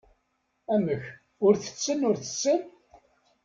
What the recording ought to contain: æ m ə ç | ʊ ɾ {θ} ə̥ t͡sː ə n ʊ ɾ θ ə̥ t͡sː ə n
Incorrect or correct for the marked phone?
correct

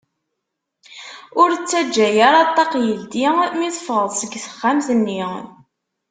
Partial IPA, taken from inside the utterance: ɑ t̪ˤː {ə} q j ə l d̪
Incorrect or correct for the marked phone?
incorrect: ɑ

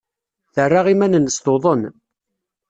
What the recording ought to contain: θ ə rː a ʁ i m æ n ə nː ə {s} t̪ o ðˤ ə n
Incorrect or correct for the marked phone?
correct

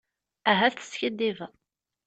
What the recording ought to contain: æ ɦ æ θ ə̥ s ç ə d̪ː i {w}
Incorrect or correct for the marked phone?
incorrect: v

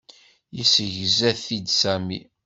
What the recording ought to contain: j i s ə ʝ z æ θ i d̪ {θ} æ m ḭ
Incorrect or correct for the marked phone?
incorrect: s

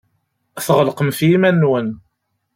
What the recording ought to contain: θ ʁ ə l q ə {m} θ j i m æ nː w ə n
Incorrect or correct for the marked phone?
correct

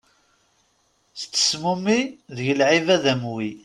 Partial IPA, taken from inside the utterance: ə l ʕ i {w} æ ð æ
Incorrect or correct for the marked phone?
incorrect: v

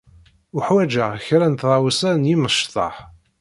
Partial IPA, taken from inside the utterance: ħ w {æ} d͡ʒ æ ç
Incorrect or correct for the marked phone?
correct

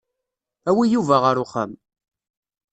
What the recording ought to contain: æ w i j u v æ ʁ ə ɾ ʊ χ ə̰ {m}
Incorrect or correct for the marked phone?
correct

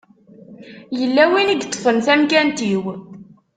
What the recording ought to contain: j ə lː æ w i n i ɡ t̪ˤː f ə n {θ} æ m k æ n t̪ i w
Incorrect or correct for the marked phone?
correct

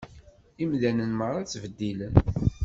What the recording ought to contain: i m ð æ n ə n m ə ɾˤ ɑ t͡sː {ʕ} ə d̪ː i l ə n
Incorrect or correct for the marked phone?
incorrect: v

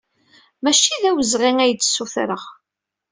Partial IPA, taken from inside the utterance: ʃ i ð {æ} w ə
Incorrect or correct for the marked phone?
correct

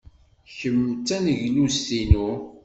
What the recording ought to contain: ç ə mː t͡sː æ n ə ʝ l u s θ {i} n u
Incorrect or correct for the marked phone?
correct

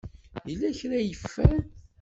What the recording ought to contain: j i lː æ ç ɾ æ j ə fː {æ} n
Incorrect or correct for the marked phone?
correct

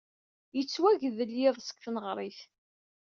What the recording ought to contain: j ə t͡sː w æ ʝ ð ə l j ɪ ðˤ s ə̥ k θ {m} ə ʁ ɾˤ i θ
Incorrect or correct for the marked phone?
incorrect: n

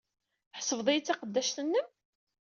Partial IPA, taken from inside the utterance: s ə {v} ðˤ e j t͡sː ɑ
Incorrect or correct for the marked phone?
correct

